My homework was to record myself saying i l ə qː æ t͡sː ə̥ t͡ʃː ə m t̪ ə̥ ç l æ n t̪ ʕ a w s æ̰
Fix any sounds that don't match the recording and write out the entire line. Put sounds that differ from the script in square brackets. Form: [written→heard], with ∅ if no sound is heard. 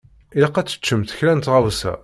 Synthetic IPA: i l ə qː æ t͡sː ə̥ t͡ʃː ə m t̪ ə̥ ç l æ n t̪ [ʕ→ʁ] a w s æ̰